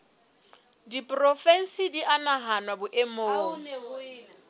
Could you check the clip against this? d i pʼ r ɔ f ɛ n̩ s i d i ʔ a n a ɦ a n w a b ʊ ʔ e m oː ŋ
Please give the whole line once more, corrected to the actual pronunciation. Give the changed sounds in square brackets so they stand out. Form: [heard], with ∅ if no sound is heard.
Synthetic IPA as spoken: d i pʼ r ɔ f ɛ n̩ s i d i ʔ a n a ɦ a n w a b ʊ ʔ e m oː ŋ